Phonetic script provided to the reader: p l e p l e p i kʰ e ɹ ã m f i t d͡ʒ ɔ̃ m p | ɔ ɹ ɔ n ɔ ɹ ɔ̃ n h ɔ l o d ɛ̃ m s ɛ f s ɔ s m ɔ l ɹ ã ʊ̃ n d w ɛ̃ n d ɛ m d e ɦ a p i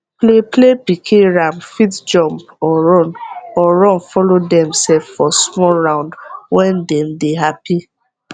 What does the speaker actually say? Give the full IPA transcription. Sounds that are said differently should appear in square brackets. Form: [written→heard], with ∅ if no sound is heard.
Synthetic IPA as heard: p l e p l e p i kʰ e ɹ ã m f i t d͡ʒ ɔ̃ m p | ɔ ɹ ɔ n ɔ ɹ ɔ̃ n [h→f] ɔ l o d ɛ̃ m s ɛ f [s→f] ɔ s m ɔ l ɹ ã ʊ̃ n d w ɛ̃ n d ɛ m d e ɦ a p i